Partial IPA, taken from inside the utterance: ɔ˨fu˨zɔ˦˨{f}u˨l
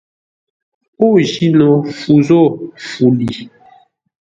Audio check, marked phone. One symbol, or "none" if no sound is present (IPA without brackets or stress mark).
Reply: f